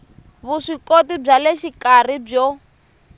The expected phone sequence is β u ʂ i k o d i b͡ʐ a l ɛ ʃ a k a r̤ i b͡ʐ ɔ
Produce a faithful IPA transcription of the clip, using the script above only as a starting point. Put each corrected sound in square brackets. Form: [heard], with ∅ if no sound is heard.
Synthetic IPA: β u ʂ i k o [t] i b͡ʐ a l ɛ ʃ [i] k a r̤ i b͡ʐ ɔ